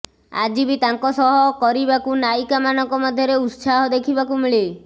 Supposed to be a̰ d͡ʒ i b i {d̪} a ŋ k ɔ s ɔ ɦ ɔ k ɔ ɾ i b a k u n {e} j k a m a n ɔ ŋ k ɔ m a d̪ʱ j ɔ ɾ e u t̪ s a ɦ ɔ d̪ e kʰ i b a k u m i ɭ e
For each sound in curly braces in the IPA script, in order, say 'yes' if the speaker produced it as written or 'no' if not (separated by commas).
no, no